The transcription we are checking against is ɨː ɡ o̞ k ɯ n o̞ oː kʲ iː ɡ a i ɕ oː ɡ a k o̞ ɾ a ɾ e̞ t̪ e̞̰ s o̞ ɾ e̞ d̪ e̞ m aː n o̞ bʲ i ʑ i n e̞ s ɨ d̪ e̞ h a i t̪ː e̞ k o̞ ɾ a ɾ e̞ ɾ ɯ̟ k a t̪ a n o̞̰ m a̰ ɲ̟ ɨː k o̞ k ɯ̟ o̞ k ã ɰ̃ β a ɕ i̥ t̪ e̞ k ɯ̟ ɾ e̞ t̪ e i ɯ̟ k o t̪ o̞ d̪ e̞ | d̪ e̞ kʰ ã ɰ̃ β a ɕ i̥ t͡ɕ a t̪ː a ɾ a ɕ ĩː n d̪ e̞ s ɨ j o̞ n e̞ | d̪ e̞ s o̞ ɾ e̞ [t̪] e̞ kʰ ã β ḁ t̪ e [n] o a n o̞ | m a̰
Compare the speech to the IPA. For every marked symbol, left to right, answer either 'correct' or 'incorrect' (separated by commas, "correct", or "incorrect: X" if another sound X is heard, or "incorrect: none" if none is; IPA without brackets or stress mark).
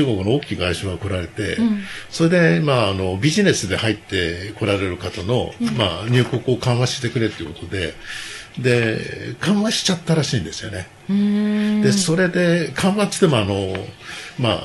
incorrect: d̪, incorrect: m